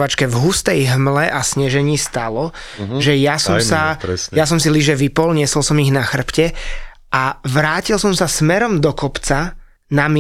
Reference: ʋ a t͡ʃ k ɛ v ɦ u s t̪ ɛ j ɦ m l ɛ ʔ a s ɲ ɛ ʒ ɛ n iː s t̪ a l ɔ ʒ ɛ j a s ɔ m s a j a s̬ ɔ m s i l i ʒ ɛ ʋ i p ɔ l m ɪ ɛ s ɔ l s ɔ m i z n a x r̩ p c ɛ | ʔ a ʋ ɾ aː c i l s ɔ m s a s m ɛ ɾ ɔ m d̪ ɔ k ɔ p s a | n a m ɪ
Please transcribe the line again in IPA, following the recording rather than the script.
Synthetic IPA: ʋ a t͡ʃ k ɛ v ɦ u s t̪ ɛ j ɦ m l ɛ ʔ a s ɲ ɛ ʒ ɛ ɲ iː s t̪ a l ɔ ʒ ɛ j a s ɔ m s a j a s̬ ɔ m s i l i ʒ ɛ ʋ i p ɔ l ɲ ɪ ɛ s ɔ l s ɔ m i ɣ n a x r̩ p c ɛ | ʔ a ʋ ɾ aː c i l s ɔ m s a s m ɛ ɾ ɔ m d̪ ɔ k ɔ p t͡s a | n a m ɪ